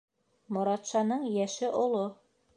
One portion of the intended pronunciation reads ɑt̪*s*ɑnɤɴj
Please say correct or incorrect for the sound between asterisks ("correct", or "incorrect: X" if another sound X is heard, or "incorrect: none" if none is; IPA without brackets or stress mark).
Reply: incorrect: ʃ